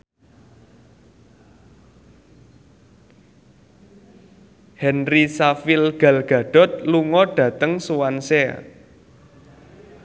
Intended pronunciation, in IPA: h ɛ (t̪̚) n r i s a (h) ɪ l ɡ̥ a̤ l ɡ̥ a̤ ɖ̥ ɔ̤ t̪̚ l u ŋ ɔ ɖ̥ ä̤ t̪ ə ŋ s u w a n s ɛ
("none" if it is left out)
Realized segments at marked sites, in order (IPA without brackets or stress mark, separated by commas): none, f